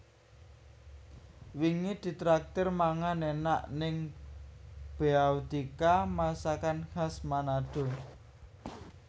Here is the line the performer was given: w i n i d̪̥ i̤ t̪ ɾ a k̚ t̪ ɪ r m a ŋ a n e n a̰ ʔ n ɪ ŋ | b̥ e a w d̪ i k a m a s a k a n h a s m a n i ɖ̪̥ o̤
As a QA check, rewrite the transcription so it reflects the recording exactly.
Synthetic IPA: w i ŋ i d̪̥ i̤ t̪ ɾ a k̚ t̪ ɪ r m a ŋ a n e n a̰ ʔ n ɪ ŋ | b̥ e a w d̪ i k a m a s a k a n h a s m a n a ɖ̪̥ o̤